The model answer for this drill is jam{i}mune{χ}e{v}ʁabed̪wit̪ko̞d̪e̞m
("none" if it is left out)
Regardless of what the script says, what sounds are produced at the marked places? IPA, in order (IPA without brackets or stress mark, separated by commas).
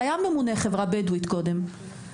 e, χ, v